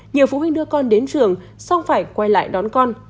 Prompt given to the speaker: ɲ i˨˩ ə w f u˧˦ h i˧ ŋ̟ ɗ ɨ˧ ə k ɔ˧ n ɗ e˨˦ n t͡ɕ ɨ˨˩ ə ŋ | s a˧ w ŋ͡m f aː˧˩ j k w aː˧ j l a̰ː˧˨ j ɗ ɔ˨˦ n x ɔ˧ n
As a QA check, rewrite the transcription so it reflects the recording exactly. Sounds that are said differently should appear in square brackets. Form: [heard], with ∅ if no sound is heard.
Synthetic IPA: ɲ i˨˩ ə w f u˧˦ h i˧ ŋ̟ ɗ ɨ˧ ə k ɔ˧ n ɗ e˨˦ n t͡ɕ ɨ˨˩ ə ŋ | s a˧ w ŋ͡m f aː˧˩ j k w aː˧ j l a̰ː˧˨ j ɗ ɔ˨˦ n [k] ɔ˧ n